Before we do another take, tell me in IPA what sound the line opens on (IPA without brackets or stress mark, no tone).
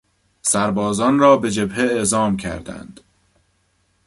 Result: s